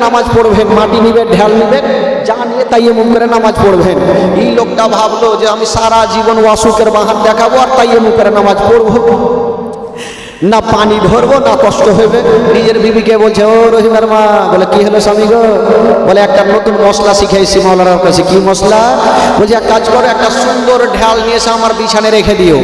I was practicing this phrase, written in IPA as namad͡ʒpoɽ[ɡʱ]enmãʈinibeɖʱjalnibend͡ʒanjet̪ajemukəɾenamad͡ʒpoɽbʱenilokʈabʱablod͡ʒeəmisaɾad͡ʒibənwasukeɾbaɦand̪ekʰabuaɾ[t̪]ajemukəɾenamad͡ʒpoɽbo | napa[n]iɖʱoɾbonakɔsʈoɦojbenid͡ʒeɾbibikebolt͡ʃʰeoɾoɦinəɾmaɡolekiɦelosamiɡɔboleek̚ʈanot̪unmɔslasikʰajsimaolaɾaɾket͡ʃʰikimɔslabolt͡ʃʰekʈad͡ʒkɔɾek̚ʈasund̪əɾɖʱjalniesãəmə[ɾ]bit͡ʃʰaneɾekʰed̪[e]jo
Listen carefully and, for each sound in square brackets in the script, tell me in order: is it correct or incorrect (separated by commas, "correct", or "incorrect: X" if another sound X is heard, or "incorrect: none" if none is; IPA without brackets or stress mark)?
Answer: incorrect: bʱ, correct, correct, correct, incorrect: i